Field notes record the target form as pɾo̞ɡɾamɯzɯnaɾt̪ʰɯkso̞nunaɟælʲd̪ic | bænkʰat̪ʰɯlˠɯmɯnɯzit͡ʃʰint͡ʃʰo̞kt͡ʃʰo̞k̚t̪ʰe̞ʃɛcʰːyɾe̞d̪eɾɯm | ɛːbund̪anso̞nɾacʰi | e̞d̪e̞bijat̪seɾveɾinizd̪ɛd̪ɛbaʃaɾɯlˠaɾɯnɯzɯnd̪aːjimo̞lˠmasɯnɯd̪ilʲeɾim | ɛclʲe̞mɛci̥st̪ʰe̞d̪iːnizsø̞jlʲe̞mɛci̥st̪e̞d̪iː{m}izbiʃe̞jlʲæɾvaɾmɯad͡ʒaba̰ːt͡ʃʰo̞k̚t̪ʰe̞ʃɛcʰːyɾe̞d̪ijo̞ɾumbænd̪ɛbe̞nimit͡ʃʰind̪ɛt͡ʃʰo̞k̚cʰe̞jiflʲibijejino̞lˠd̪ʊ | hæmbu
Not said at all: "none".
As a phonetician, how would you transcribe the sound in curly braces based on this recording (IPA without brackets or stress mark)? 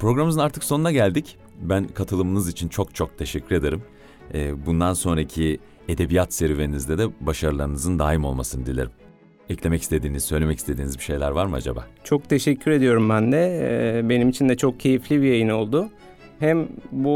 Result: n